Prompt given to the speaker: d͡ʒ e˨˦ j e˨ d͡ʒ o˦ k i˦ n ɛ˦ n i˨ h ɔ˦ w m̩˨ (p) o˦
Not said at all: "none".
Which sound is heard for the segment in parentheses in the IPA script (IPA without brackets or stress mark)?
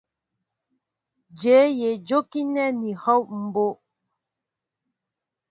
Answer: b